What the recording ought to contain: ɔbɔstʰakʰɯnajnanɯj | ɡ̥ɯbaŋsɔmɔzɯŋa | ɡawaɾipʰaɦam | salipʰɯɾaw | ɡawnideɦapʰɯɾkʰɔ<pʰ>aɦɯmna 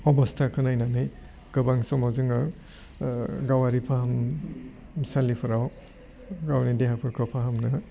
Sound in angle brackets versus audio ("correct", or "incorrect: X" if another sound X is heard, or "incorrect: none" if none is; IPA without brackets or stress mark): correct